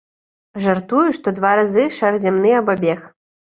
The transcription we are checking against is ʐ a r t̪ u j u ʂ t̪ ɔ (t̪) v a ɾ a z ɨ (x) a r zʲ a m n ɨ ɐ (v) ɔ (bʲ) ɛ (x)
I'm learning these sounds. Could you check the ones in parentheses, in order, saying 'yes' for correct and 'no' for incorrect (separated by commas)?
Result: no, no, no, yes, yes